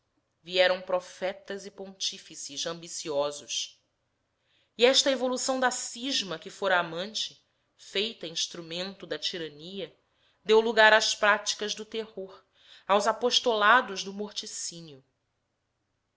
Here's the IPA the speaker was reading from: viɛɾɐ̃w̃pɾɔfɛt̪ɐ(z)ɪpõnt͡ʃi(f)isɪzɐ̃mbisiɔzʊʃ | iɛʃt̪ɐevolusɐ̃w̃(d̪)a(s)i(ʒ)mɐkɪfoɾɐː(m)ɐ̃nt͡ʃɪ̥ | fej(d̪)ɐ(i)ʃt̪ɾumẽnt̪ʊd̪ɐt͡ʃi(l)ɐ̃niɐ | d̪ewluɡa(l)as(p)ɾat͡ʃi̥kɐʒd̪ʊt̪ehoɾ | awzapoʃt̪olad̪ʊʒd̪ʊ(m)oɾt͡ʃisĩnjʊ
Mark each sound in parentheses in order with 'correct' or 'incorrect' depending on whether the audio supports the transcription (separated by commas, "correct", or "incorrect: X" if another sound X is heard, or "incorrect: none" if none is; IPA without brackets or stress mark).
correct, correct, correct, correct, correct, correct, incorrect: t̪, incorrect: ĩ, incorrect: ɾ, incorrect: ɾ, correct, correct